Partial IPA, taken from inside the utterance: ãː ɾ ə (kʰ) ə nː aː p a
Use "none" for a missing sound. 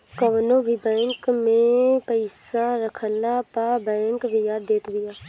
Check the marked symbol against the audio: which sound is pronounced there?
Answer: kʰ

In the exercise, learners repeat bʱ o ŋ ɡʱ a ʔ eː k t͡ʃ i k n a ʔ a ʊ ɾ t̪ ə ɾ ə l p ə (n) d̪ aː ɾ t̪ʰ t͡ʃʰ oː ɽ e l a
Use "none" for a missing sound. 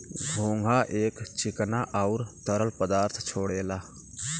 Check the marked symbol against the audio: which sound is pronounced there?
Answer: none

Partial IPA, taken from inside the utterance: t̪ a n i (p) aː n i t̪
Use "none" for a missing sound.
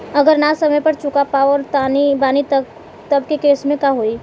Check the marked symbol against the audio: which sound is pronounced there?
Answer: b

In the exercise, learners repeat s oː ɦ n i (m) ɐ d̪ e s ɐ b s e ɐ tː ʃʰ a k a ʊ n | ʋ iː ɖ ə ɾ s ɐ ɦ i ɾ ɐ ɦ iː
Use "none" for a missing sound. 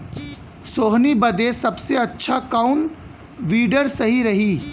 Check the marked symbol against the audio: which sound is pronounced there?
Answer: b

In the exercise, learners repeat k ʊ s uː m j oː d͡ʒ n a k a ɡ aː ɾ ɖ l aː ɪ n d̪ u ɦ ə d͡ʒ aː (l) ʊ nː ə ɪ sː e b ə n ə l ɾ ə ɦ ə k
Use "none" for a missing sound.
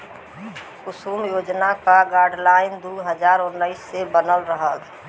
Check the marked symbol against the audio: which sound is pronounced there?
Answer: ɾ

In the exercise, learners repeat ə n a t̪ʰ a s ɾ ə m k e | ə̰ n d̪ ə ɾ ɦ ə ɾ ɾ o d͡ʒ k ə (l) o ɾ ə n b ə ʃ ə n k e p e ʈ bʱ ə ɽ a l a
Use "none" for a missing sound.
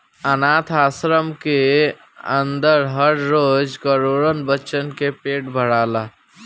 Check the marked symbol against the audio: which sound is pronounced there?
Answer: ɾ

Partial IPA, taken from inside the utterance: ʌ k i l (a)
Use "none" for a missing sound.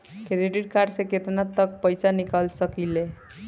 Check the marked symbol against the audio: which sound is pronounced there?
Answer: e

